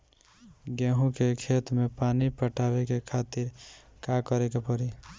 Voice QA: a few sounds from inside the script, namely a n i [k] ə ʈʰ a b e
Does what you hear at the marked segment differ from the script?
yes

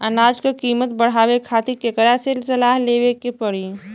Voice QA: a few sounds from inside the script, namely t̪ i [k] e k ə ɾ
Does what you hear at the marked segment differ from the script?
no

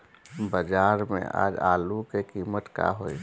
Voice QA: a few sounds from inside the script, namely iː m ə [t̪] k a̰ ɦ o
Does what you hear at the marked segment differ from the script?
no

